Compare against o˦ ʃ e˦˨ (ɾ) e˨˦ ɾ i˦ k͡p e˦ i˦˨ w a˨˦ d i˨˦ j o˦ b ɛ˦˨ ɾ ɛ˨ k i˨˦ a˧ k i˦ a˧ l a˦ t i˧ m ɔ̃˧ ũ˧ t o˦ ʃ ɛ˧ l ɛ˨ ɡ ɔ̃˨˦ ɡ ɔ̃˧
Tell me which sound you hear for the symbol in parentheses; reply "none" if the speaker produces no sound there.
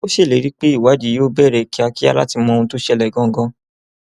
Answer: l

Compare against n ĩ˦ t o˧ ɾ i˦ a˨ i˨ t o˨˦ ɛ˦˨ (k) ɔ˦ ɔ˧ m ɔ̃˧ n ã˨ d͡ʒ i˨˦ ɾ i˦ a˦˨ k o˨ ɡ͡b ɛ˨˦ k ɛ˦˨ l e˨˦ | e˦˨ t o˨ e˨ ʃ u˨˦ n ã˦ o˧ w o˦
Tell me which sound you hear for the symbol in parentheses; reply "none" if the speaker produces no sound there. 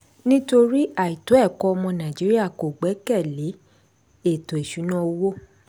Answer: k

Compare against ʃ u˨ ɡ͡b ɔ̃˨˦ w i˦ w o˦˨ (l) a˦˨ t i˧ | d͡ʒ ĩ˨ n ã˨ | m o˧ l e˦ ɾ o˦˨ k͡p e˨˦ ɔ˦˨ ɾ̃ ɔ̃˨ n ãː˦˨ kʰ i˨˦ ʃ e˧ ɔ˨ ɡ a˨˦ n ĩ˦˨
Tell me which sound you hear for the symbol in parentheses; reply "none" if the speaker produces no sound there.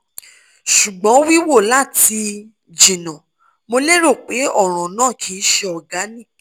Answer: l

